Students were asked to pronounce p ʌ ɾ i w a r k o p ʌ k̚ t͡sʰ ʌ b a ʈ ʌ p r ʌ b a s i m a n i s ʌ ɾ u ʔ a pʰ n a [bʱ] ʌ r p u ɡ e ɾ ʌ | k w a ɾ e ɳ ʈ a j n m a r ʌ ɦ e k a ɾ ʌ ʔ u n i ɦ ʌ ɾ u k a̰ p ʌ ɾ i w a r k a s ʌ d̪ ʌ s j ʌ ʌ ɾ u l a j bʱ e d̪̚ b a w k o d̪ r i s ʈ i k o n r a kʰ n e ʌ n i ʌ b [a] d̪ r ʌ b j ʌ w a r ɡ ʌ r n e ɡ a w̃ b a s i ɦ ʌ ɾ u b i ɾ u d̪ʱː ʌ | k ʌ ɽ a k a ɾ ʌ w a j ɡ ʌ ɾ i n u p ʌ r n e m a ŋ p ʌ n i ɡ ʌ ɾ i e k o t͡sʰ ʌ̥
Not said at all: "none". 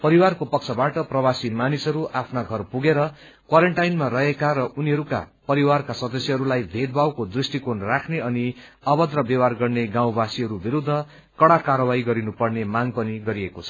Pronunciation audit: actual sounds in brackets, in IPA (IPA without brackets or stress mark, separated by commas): ɡʱ, ʌ